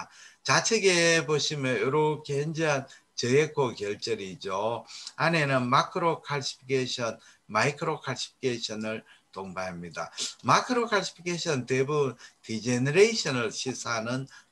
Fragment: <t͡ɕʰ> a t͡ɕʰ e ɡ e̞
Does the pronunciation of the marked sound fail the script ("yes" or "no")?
yes